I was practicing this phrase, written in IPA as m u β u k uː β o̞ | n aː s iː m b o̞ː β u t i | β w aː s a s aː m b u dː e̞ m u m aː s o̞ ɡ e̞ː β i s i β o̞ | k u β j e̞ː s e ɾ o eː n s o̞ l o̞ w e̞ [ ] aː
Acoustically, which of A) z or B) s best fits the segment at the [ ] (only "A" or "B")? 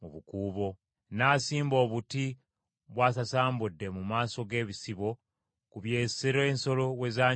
A